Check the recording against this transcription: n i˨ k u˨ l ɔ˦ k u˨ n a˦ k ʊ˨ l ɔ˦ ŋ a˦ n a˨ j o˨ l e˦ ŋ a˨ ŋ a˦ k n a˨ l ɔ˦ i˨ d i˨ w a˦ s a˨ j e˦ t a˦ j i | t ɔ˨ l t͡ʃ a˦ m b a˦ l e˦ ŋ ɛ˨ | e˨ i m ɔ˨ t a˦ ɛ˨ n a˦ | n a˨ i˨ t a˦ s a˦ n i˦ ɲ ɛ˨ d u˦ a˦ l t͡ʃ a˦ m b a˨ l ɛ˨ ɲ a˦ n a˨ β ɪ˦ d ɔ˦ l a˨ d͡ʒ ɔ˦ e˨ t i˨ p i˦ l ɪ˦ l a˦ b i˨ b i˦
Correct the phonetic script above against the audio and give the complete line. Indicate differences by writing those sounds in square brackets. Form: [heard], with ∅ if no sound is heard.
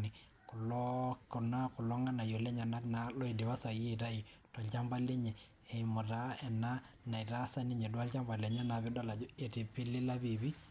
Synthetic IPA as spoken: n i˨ k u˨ l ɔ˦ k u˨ n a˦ k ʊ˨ l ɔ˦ ŋ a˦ n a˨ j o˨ l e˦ [ɲ] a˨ [n] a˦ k n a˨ l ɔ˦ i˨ d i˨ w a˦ s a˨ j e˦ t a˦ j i | t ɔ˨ l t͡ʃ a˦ m b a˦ l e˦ [ɲ] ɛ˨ | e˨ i m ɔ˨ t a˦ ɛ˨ n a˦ | n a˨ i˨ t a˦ s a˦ n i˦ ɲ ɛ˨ d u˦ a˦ l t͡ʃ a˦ m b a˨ l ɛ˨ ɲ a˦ n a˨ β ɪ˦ d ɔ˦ l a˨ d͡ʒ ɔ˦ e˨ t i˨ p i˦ l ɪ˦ l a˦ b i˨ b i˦